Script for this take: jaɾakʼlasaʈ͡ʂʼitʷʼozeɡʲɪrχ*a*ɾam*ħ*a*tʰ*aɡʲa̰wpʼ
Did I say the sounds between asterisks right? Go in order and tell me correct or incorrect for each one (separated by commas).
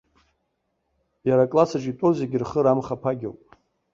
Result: incorrect, incorrect, incorrect